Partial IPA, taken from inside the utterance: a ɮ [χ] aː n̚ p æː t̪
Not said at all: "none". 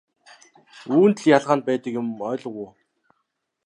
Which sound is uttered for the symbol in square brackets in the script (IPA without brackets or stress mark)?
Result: ʁ